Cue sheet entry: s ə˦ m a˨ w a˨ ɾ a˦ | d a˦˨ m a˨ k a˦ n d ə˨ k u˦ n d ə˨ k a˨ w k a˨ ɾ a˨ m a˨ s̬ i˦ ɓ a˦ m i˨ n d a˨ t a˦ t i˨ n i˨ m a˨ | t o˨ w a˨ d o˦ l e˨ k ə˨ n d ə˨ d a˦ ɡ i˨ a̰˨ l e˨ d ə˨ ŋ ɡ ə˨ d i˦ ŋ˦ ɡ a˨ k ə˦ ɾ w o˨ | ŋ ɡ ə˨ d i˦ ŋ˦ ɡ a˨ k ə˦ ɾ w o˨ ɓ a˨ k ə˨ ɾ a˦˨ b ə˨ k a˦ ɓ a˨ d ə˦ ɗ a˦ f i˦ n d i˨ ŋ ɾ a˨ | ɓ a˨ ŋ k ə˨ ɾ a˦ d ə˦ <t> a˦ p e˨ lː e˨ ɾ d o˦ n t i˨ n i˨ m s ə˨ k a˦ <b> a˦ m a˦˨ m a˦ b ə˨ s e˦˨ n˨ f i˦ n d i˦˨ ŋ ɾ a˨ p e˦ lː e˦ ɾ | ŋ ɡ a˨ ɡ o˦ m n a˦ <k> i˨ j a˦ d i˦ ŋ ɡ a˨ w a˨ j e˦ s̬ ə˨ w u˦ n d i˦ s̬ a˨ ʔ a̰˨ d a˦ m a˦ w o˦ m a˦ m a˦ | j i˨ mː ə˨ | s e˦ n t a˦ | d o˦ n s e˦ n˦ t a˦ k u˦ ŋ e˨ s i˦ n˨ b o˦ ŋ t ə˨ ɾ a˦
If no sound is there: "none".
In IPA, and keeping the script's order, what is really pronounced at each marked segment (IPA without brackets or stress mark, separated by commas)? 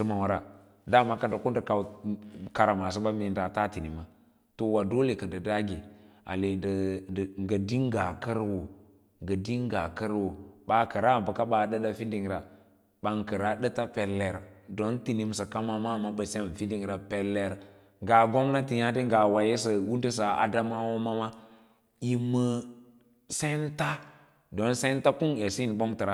t, m, t